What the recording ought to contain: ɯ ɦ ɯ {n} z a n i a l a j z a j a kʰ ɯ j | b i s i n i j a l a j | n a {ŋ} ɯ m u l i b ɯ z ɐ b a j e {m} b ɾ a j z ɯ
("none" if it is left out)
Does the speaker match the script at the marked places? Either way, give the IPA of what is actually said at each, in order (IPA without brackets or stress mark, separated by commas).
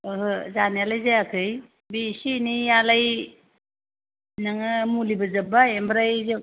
none, ŋ, m